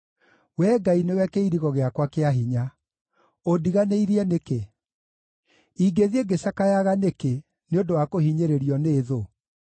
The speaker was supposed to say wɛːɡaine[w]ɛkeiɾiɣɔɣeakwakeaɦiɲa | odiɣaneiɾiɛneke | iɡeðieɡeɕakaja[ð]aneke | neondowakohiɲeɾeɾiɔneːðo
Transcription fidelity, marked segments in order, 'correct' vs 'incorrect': correct, incorrect

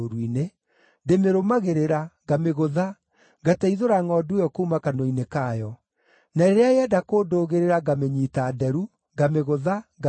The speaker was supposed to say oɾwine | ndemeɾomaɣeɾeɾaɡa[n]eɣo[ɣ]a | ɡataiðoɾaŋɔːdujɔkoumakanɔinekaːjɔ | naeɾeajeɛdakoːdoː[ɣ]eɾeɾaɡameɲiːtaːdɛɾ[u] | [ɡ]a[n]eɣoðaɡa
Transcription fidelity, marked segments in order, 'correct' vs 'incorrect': incorrect, incorrect, correct, correct, correct, incorrect

